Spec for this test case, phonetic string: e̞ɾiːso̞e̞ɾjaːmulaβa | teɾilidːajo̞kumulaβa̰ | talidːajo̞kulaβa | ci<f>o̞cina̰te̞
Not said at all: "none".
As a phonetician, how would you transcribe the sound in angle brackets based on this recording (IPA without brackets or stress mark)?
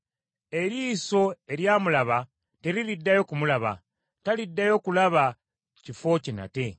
f